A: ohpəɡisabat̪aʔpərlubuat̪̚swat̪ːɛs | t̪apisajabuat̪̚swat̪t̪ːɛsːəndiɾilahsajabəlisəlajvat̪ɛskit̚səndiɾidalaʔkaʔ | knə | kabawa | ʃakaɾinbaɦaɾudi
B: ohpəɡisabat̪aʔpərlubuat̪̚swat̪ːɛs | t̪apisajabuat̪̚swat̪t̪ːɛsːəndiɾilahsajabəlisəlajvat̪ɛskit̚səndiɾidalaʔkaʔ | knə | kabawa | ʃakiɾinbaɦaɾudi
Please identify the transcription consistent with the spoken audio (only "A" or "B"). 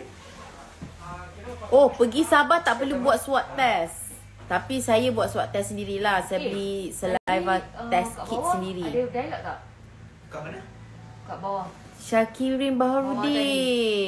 B